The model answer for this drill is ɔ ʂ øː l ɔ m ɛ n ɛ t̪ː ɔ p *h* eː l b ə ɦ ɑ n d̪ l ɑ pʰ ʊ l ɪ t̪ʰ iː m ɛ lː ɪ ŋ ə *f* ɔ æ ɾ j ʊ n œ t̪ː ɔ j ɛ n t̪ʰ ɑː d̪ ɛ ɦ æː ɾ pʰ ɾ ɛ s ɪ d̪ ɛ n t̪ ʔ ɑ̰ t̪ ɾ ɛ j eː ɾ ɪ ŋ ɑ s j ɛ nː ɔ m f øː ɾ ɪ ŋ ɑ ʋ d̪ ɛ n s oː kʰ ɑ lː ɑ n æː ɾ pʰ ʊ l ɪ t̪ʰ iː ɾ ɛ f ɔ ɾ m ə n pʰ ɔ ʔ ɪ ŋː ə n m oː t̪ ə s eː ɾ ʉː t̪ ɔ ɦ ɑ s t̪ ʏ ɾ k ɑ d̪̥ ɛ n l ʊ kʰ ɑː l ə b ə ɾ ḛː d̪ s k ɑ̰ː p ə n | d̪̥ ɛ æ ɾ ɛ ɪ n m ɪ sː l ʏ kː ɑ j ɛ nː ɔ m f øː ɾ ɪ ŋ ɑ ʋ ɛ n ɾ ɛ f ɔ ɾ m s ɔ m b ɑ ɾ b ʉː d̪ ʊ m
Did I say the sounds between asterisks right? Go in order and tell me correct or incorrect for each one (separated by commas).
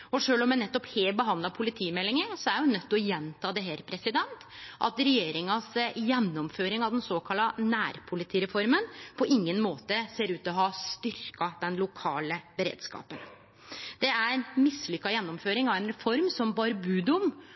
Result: correct, incorrect